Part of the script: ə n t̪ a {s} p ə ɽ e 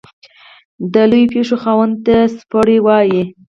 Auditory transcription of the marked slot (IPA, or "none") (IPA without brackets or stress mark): s